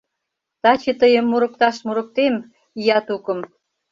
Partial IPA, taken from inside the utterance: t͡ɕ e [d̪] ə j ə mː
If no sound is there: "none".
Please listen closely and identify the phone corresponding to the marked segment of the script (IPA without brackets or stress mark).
t̪